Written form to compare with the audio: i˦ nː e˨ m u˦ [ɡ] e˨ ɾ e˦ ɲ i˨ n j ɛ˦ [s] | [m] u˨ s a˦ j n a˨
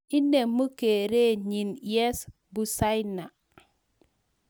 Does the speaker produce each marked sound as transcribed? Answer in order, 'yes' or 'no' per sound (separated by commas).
no, yes, no